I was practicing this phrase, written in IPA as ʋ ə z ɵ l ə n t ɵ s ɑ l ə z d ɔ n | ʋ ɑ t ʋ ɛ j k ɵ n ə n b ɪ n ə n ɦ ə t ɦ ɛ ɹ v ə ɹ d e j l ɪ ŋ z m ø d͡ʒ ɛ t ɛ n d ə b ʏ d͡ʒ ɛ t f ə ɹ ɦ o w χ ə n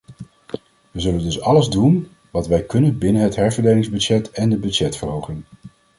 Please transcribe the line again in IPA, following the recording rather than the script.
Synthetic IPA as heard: ʋ ə z ɵ l ə n d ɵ s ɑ l ə z d u n | ʋ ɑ t ʋ ɛ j k ɵ n ə n b ɪ n ə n ɦ ə t ɦ ɛ ɹ v ə ɹ d e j l ɪ ŋ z b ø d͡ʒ ɛ t ɛ n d ə b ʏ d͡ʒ ɛ t f ə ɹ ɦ o w χ ə n